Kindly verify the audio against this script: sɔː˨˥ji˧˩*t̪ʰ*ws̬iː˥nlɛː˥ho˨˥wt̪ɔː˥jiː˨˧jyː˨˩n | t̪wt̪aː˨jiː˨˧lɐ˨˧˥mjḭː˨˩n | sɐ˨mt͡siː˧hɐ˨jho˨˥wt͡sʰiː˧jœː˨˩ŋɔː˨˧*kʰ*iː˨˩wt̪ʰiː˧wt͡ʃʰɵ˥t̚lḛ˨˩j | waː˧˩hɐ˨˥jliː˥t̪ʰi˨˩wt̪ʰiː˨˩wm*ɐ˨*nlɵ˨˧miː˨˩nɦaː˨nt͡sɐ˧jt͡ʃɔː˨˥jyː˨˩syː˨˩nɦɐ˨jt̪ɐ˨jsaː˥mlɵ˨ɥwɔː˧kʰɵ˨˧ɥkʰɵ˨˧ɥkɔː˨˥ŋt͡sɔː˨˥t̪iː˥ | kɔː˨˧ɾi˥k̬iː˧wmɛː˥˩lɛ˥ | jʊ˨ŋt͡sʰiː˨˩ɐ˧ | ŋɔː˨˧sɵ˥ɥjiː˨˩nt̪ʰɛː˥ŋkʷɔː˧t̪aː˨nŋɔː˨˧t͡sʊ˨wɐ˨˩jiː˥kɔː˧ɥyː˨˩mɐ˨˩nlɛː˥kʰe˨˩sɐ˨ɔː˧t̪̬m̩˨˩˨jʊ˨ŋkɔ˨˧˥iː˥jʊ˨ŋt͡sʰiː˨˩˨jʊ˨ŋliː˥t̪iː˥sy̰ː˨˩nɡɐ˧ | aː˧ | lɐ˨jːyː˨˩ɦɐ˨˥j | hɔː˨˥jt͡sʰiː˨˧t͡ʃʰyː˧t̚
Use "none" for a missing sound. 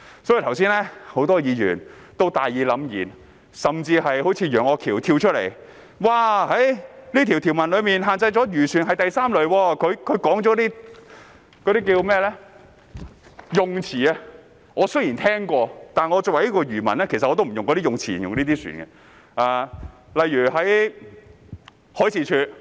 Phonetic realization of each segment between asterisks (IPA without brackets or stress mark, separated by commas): t̪ʰ, kʰ, ɐ˨